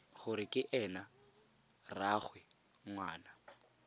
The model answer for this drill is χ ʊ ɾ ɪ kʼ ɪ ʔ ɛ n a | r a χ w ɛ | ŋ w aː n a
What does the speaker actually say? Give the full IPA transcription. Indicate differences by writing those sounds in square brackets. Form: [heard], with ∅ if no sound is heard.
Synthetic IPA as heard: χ ʊ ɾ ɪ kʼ ɪ ʔ ɛ n a | r a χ w ɛ | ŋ w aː n a